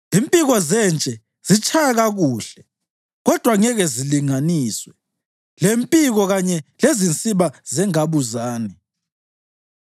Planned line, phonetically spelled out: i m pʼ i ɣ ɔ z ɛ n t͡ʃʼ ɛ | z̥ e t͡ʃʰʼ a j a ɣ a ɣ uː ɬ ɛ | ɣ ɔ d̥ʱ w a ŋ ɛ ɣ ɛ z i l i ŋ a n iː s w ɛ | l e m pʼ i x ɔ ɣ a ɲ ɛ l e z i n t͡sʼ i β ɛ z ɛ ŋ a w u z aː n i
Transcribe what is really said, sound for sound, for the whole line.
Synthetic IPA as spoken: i m pʼ i ɣ ɔ z ɛ n t͡ʃʼ ɛ | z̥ i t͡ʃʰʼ a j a ɣ a ɣ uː ɬ ɛ | ɣ ɔ d̥ʱ w a ŋ ɛ ɣ ɛ z i l i ŋ a n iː s w ɛ | l e m pʼ i ɣ ɔ ɣ a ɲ ɛ l e z i n t͡sʼ i β a z ɛ ŋ a β u z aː n i

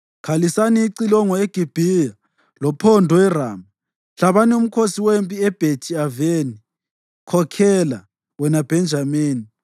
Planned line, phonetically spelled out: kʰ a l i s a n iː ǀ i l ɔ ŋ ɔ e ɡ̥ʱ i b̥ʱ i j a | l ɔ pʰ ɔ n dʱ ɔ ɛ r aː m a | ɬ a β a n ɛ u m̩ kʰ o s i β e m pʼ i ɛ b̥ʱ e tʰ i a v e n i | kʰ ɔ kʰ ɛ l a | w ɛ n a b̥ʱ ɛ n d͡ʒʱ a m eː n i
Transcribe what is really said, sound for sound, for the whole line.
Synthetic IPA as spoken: kʰ a l i s a n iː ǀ i l ɔ ŋ ɔ e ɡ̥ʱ i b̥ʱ i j a | l ɔ pʰ ɔ n dʱ ɔ ɛ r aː m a | ɬ a β a n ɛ u m̩ kʰ o s i w e m pʼ i ɛ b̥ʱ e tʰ i a v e n i | kʰ ɔ kʰ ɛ l a | w ɛ n a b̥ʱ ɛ n d͡ʒʱ a m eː n i

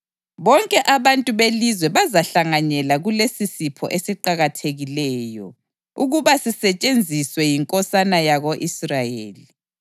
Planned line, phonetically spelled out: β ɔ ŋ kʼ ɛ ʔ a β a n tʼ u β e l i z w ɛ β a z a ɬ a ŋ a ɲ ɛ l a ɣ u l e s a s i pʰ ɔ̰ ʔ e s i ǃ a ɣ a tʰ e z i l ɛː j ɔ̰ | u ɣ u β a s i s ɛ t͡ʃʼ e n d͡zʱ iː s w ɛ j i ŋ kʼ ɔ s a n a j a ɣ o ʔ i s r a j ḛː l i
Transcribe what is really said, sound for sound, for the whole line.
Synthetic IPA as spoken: β ɔ ŋ kʼ ɛ ʔ a β a n tʼ u β e l i z w ɛ β a z a ɬ a ŋ a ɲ ɛ l a ɣ u l e s i s i pʰ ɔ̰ ʔ e s i ǃ a ɣ a tʰ e ɣ i l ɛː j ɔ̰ | u ɣ u β a s i s ɛ t͡ʃʼ e n d͡zʱ i s w ɛ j i ŋ kʼ ɔ s a n a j a ɣ o ʔ i s r a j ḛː l i

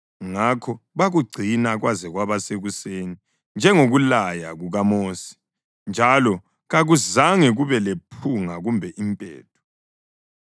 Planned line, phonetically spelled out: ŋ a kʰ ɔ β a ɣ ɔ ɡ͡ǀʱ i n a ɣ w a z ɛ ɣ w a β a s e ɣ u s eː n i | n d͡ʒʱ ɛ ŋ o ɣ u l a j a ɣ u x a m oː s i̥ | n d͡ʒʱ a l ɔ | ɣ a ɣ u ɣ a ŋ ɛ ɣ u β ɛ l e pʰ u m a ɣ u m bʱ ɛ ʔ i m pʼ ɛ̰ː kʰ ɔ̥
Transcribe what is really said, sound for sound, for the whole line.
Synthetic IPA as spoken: ŋ a kʰ ɔ β a ɣ u ɡ͡ǀʱ i n a ɣ w a z ɛ ɣ w a β a s e ɣ u s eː n i | n d͡ʒʱ ɛ ŋ o ɣ u l a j a ɣ u ɣ a m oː s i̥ | n d͡ʒʱ a l ɔ | ɣ a ɣ u z a ŋ ɛ ɣ u β ɛ l e pʰ u ŋ a ɣ u m bʱ ɛ ʔ i m pʼ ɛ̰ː tʰ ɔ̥

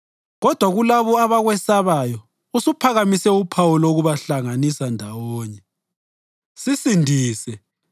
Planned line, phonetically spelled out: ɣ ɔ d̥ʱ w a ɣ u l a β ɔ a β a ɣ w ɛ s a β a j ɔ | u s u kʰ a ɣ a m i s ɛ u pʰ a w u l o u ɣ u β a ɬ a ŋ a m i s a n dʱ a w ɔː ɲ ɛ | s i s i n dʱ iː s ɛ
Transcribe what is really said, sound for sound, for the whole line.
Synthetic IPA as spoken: ɣ ɔ d̥ʱ w a ɣ u l a β ɔ a β a ɣ w ɛ s a β a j ɔ | u s u pʰ a ɣ a m i s ɛ u pʰ a w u l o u ɣ u β a ɬ a ŋ a n i s a n dʱ a w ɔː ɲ ɛ | s i s i n dʱ iː s ɛ

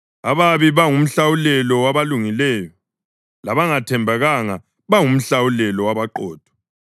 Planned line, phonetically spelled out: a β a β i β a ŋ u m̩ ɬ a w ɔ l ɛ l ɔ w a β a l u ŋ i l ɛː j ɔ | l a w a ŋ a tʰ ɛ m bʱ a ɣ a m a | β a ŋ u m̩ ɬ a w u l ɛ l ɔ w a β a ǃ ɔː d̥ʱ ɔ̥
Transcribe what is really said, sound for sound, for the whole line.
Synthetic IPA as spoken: a β a β i β a ŋ u m̩ ɬ a w u l ɛ l ɔ w a β a l u ŋ i l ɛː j ɔ | l a β a ŋ a tʰ ɛ m bʱ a ɣ a ŋ a | β a ŋ u m̩ ɬ a w u l ɛ l ɔ w a β a ǃ ɔː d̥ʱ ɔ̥

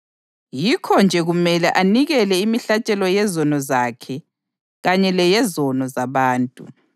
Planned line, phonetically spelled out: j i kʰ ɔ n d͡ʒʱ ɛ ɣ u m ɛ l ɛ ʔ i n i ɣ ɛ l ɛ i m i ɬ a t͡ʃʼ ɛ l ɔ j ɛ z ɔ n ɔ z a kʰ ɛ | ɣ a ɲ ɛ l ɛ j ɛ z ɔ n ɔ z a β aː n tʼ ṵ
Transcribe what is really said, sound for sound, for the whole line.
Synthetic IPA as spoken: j i kʰ ɔ n d͡ʒʱ ɛ ɣ u m ɛ l ɛ ʔ a n i ɣ ɛ l ɛ i m i ɬ a t͡ʃʼ ɛ l ɔ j ɛ z ɔ n ɔ z a kʰ ɛ | ɣ a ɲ ɛ l ɛ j ɛ z ɔ n ɔ z a β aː n tʼ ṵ

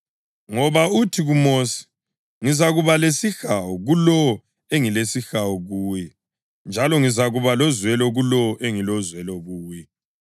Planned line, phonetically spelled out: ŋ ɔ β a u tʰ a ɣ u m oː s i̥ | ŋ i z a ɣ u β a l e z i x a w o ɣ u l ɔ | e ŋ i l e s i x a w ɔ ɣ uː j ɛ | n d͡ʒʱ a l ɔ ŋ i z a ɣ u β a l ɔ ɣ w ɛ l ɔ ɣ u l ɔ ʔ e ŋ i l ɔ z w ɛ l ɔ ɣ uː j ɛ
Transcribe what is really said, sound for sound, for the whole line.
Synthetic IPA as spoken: ŋ ɔ β a u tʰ i ɣ u m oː s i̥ | ŋ i z a ɣ u β a l e s i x a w ɔ ɣ u l ɔ | e ŋ i l e s i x a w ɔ ɣ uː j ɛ | n d͡ʒʱ a l ɔ ŋ i z a ɣ u β a l ɔ z w ɛ l ɔ ɣ u l ɔ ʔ e ŋ i l ɔ z w ɛ l ɔ ɣ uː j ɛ

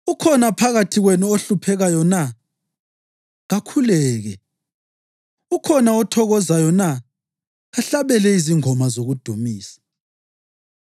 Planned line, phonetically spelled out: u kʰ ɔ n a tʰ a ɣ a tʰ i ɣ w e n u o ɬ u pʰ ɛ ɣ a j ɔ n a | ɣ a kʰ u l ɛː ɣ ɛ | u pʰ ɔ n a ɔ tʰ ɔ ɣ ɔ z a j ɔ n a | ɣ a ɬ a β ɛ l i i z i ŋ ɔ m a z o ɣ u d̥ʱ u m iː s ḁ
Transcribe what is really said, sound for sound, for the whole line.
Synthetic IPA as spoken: u kʰ ɔ n a pʰ a ɣ a tʰ i ɣ w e n u o ɬ u pʰ ɛ ɣ a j ɔ n a | ɣ a kʰ u l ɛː ɣ ɛ | u kʰ ɔ n a ɔ tʰ ɔ ɣ ɔ z a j ɔ n a | ɣ a ɬ a β ɛ l ɛ i z i ŋ ɔ m a z o ɣ u d̥ʱ u m iː s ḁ

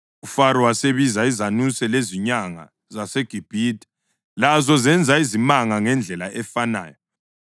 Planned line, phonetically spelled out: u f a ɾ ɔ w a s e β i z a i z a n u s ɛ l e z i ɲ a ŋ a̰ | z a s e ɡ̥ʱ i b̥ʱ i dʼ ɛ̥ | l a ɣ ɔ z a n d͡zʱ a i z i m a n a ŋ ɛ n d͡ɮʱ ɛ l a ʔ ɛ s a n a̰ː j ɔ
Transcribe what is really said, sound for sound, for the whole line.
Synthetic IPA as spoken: u f a ɾ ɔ w a s e β i z a i z a n u s ɛ l e z i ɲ a ŋ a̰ | z a s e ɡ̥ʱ i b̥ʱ i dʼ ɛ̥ | l a z ɔ z ɛ n d͡zʱ a i z i m a ŋ a ŋ ɛ n d͡ɮʱ ɛ l a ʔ ɛ f a n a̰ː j ɔ

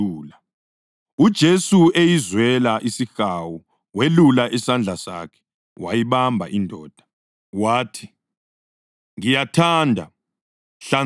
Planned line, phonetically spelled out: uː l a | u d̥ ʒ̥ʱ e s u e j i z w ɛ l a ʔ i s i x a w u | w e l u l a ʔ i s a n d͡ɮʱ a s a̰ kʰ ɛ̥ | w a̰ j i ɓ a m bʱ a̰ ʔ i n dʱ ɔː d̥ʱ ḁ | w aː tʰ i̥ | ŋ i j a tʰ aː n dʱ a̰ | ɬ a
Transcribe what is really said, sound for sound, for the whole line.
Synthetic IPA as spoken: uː l a | u d̥ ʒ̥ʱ e s u e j i z w ɛ l a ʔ i s i x a w u | w e l u l a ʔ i s a n d͡ɮʱ a s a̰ kʰ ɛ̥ | w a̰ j i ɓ a m bʱ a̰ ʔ i n dʱ ɔː d̥ʱ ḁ | w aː tʰ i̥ | ŋ i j a tʰ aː n dʱ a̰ | ɬ a

